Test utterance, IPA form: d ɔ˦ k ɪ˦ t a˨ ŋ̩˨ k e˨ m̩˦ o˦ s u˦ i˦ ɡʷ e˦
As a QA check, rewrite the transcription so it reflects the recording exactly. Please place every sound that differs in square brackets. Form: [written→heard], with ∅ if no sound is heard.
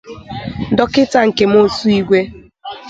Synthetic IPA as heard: d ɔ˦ k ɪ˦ t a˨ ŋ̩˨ k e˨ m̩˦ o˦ s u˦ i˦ ɡʷ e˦